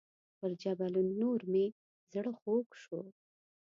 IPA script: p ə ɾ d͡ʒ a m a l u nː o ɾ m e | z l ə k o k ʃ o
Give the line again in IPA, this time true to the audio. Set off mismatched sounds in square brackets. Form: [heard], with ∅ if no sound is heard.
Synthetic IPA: p ə ɾ d͡ʒ a [b] a l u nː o ɾ m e | z [ɽ] ə [x] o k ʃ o